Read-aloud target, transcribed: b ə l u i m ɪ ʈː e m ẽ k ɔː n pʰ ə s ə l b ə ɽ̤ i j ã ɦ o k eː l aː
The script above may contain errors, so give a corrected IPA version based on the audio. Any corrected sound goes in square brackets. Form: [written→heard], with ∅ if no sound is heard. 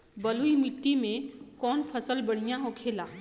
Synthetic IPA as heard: b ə l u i m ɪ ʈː [e→i] m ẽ k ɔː n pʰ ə s ə l b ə ɽ̤ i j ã ɦ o [k→kʰ] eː l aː